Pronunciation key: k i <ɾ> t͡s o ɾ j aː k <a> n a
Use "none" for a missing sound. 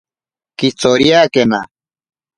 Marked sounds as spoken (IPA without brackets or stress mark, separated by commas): none, e